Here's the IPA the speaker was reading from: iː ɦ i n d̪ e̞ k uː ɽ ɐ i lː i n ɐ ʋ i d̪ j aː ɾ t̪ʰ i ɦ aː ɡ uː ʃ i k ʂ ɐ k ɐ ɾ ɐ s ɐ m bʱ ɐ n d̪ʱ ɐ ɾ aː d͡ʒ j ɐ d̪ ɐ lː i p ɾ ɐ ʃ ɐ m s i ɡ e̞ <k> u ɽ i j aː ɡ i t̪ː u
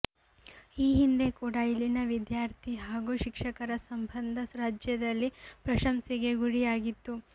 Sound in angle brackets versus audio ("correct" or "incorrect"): incorrect